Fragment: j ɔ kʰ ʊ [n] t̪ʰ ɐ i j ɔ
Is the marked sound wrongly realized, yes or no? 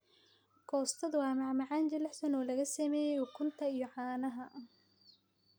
no